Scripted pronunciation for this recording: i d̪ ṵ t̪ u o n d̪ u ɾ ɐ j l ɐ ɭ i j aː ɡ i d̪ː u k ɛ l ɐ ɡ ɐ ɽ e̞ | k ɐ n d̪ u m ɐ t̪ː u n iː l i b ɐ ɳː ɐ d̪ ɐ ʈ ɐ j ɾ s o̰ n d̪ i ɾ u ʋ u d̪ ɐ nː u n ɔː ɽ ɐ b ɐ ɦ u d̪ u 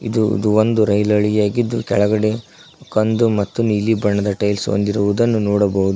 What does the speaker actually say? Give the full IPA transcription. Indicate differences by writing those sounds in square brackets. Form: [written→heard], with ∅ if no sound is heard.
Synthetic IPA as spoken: i d̪ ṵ [t̪→d̪] u o n d̪ u ɾ ɐ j l ɐ ɭ i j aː ɡ i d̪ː u k ɛ [l→ɭ] ɐ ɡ ɐ ɽ e̞ | k ɐ n d̪ u m ɐ t̪ː u n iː l i b ɐ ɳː ɐ d̪ ɐ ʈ ɐ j [ɾ→l] s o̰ n d̪ i ɾ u ʋ u d̪ ɐ nː u n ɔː ɽ ɐ b ɐ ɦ u d̪ u